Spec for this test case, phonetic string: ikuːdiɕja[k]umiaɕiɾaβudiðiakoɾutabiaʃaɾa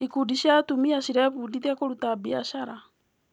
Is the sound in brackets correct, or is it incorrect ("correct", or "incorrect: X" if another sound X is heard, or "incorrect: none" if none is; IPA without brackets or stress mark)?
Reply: incorrect: t